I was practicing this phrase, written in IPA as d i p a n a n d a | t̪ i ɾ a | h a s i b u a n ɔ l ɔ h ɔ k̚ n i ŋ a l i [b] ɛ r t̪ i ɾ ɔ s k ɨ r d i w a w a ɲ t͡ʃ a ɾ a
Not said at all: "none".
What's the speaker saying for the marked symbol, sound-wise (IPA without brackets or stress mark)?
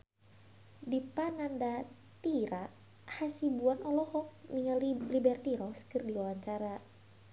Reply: b